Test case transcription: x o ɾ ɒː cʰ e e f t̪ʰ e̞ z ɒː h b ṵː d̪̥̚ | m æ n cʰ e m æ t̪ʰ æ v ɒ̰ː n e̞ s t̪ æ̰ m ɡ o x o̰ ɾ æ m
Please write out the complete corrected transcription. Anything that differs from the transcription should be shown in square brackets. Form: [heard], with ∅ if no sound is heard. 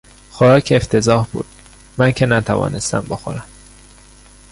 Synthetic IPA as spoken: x o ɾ ɒː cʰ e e f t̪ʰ e̞ z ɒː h b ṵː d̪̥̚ | m æ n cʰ e [n] æ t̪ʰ æ v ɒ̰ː n e̞ s t̪ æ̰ m [b] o x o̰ ɾ æ m